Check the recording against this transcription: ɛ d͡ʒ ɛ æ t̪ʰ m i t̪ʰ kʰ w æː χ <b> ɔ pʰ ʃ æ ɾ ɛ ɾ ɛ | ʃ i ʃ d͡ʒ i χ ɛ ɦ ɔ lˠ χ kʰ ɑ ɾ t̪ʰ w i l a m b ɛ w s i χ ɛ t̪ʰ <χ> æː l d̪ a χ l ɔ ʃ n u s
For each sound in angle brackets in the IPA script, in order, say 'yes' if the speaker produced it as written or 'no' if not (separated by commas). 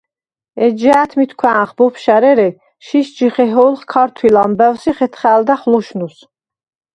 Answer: yes, yes